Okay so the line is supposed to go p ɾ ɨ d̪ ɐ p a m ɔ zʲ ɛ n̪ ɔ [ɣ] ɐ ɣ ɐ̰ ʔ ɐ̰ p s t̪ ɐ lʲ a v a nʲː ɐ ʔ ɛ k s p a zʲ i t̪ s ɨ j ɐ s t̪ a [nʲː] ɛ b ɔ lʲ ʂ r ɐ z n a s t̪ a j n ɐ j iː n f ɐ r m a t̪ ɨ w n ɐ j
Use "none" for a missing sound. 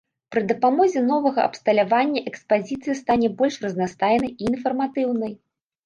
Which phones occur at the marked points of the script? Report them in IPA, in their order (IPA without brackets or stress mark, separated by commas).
v, nʲ